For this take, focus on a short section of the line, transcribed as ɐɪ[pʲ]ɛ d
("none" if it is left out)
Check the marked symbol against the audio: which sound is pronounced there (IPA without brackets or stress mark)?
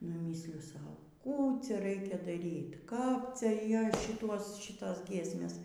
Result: kʲ